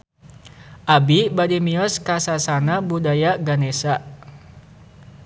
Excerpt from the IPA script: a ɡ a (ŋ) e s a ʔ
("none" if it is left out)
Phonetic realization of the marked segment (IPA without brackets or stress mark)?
n